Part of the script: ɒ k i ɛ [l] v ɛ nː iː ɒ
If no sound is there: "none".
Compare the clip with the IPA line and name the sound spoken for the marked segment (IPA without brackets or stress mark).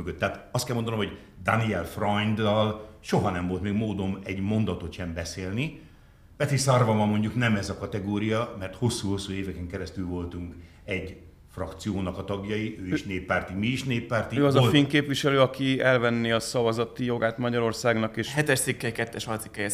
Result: l